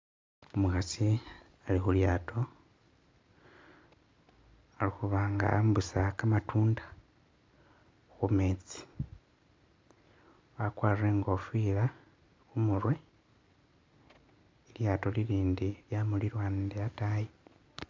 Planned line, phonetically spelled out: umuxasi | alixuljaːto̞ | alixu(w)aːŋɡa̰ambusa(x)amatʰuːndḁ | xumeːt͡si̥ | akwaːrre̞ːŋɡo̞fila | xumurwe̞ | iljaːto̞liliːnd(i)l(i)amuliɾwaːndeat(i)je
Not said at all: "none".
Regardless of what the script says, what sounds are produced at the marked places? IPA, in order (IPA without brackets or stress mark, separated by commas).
β, k, i, j, a